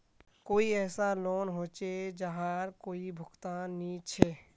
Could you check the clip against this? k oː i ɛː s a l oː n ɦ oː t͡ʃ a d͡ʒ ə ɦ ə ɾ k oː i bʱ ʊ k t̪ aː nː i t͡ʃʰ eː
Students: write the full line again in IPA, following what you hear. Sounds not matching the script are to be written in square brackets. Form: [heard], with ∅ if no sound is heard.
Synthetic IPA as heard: k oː i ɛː s a l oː n ɦ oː t͡ʃ [e] d͡ʒ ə ɦ [a] ɾ k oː i bʱ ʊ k t̪ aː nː i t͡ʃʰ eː

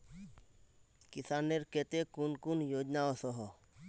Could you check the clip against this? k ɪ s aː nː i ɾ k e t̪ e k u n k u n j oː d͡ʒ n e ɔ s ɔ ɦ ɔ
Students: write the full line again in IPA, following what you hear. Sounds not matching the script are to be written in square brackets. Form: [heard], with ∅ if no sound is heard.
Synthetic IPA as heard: k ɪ s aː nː [e] ɾ k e t̪ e k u n k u n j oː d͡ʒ n [a] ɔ s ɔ ɦ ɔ

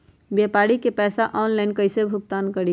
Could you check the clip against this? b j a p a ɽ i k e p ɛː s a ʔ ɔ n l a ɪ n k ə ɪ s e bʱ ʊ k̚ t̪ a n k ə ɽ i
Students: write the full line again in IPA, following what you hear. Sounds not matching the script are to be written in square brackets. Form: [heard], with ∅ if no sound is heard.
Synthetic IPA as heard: b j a p a ɽ i k e p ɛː s a ʔ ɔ n l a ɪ n k ə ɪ s e bʱ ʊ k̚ t̪ a n k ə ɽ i

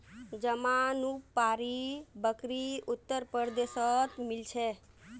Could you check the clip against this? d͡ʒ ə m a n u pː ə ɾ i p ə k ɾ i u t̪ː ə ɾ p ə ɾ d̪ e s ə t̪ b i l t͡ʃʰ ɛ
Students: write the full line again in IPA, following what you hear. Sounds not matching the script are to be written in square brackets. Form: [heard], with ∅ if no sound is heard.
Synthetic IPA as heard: d͡ʒ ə m a n u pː [a] ɾ i [b] ə k ɾ i u t̪ː ə ɾ p ə ɾ d̪ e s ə t̪ [m] i l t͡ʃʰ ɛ

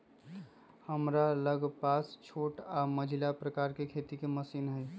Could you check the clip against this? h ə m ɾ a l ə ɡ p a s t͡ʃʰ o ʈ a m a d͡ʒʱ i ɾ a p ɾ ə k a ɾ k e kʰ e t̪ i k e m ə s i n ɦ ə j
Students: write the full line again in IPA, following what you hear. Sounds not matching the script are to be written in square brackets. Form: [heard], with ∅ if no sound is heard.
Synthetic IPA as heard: h ə m ɾ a l ə ɡ p a s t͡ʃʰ o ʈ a m [ə] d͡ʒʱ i [l] a p ɾ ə k a ɾ k e kʰ e t̪ i k e m ə s i n ɦ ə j

